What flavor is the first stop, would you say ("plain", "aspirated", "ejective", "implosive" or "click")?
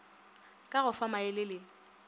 ejective